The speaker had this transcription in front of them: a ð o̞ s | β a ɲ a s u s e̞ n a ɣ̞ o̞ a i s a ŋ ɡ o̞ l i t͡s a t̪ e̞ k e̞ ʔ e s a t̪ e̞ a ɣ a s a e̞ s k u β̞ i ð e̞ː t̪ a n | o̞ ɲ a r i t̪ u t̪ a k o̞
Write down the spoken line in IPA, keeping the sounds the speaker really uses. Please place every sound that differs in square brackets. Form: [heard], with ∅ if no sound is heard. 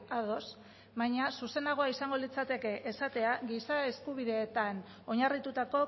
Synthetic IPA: a ð o̞ s | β a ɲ a s u s e̞ n a ɣ̞ o̞ a i s a ŋ ɡ o̞ l i t͡s a t̪ e̞ k e̞ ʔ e s a t̪ e̞ a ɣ [i] s a e̞ s k u β̞ i ð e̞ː t̪ a n | o̞ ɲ a r i t̪ u t̪ a k o̞